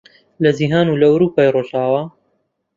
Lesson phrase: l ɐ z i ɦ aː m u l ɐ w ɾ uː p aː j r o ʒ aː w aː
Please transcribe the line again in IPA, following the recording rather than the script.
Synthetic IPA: l ɐ z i ɦ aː n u l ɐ w ɾ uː p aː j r o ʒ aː w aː